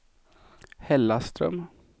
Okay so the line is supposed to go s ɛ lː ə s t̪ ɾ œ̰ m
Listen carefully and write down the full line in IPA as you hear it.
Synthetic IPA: h ɛ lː a s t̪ ɾ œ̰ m